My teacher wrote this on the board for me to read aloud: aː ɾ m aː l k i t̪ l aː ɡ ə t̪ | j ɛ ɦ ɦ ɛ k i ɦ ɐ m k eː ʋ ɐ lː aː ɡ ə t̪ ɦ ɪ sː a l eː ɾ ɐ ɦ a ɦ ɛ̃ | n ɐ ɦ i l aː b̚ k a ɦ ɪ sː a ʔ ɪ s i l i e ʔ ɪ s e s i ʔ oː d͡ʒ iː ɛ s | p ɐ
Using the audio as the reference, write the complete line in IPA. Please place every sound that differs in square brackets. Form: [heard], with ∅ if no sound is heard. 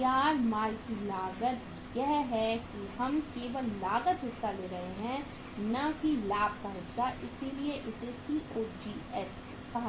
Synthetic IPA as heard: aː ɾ m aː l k i [∅] l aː ɡ ə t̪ | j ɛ ɦ ɦ ɛ k i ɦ ɐ m k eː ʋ [ə] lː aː ɡ ə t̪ ɦ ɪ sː a l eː ɾ ɐ ɦ [e] ɦ ɛ̃ | n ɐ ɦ i l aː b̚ k a ɦ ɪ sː a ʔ ɪ s i l i e ʔ ɪ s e s i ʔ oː d͡ʒ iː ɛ s | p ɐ